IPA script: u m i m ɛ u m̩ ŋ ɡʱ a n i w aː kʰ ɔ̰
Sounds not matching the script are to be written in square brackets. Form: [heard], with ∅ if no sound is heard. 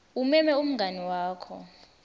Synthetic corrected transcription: u m [ɛ] m ɛ u m̩ ŋ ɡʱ a n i w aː kʰ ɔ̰